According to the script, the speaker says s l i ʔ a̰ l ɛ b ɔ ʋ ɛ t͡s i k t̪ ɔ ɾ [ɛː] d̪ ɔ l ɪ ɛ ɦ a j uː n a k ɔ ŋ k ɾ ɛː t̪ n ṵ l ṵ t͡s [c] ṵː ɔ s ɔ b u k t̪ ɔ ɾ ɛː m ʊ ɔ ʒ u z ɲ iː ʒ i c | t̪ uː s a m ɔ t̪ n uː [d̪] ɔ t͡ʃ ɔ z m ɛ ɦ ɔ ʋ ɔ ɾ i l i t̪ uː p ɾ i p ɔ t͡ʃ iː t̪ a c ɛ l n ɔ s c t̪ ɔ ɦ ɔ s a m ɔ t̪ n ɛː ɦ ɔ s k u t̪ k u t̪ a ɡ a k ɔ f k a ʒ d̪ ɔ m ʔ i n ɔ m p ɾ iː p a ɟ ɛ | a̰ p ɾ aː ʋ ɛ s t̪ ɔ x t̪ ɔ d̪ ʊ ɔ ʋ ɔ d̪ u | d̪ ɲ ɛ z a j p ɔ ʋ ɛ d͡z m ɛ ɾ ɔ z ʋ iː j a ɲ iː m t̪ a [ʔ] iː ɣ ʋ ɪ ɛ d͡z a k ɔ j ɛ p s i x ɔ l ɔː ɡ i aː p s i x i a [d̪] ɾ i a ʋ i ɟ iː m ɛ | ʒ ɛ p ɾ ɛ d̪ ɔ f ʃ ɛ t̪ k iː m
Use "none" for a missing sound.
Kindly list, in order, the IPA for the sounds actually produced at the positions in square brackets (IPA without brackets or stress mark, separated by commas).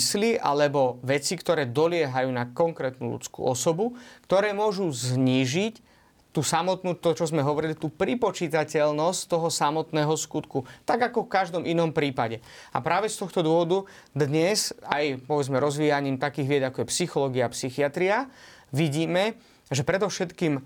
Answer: ɛː, k, t̪, k, t̪